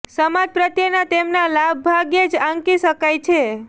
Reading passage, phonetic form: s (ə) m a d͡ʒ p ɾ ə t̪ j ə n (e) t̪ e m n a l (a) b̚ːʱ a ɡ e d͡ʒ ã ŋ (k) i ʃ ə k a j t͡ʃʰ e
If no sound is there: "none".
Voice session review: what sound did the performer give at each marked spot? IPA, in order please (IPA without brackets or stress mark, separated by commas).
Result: ə, a, a, k